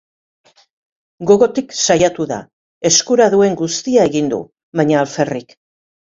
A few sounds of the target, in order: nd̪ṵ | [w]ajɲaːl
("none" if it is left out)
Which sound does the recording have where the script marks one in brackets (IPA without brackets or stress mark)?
β